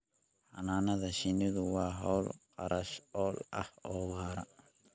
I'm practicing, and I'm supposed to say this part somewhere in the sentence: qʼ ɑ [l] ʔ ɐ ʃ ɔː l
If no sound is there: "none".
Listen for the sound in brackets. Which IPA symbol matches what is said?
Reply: ɾ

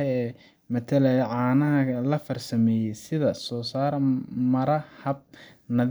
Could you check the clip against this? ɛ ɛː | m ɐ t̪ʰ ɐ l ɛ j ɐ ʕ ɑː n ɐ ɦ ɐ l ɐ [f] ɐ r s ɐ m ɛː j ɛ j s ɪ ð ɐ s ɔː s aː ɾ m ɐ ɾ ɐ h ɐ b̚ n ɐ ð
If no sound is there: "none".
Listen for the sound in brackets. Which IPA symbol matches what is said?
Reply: f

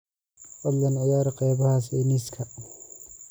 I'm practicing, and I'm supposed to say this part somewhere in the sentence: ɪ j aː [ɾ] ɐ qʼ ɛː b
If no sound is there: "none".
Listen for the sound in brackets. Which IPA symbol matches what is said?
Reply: ɾ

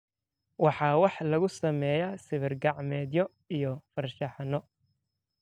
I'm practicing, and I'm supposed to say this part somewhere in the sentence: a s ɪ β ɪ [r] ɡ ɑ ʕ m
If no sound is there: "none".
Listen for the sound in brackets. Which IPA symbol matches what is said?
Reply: r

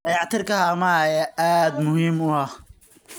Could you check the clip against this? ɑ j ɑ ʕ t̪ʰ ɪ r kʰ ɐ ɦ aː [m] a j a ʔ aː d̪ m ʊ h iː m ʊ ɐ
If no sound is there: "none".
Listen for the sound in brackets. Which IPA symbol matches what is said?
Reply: m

